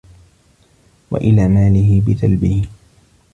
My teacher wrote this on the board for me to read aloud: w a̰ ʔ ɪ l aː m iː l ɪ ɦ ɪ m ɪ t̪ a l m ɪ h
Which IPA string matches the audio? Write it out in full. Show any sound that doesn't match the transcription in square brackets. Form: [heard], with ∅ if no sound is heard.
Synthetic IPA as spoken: w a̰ ʔ ɪ l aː m [aː] l ɪ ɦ ɪ [b] ɪ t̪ a l [b] ɪ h